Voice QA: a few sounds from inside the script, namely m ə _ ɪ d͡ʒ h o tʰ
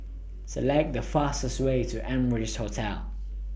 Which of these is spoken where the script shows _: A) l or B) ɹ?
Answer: B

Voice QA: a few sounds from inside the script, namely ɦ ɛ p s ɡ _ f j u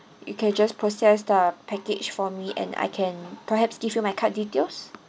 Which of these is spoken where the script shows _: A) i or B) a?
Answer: A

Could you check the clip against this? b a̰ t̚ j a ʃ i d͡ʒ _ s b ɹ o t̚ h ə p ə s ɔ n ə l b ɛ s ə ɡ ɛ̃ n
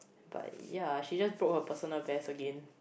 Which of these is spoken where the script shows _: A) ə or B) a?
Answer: B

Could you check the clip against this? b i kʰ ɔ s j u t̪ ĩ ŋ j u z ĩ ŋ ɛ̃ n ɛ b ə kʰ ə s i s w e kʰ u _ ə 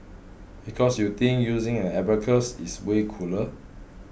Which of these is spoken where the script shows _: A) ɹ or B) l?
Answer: B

